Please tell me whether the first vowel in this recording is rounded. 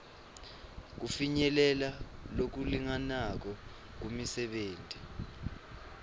yes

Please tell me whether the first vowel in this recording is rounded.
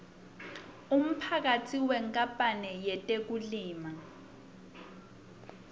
yes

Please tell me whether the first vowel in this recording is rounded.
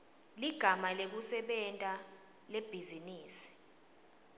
no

